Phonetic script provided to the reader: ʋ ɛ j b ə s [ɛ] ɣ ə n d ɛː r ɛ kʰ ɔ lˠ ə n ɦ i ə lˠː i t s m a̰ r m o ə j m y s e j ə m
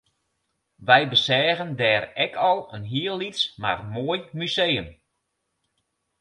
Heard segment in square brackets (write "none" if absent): ɛː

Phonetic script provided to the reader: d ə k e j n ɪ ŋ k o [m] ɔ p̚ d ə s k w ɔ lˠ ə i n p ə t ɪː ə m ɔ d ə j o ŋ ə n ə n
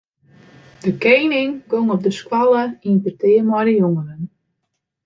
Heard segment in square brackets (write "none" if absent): ŋ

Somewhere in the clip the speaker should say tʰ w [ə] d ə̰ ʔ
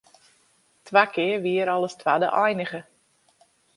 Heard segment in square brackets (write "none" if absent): a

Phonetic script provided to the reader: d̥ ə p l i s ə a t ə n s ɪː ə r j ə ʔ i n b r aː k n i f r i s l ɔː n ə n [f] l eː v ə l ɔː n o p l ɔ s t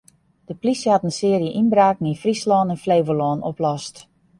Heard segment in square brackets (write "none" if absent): f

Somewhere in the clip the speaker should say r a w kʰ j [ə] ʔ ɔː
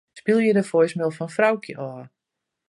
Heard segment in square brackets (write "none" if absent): ə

